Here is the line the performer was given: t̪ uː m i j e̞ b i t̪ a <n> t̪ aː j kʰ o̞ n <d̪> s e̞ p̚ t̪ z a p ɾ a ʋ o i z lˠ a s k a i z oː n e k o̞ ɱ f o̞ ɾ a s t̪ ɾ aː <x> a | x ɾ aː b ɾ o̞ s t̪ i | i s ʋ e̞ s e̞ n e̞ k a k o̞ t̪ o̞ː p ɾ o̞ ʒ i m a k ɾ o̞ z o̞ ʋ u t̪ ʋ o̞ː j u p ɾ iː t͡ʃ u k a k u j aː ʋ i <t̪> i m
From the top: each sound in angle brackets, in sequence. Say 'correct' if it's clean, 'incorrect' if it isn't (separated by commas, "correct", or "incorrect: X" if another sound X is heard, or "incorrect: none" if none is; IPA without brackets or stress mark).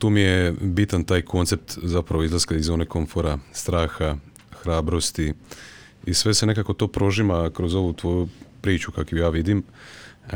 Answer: correct, incorrect: t̪, correct, incorrect: d̪